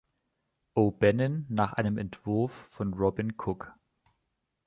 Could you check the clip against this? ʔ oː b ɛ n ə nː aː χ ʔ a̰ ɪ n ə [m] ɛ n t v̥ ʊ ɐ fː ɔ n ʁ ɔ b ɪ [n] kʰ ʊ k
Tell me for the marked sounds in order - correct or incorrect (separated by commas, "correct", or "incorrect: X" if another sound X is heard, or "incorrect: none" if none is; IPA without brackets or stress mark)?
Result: correct, correct